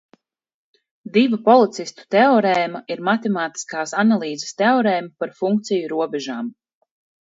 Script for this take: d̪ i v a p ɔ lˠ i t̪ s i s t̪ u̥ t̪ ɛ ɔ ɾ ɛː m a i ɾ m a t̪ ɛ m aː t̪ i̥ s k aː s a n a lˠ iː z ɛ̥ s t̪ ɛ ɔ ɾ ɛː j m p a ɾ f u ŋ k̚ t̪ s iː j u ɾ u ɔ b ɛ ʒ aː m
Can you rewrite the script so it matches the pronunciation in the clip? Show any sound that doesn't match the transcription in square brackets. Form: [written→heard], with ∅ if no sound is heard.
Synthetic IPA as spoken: d̪ i v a p ɔ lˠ i t̪ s i s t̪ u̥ t̪ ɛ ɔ ɾ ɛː m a i ɾ m a t̪ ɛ m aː t̪ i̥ s k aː s a n a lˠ iː z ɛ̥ s t̪ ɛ ɔ ɾ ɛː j m p a ɾ f u ŋ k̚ t̪ s [iː→i] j u ɾ u ɔ b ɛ ʒ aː m